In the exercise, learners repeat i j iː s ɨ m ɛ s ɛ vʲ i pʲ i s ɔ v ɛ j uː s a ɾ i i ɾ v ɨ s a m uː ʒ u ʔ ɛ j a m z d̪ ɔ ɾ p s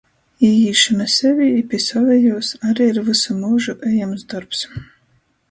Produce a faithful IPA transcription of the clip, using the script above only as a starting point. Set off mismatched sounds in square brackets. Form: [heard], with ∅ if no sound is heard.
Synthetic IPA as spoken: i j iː [ʃ] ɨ m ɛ s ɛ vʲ i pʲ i s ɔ v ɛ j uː s a ɾ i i ɾ v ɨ s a m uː ʒ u ʔ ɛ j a m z d̪ ɔ ɾ p s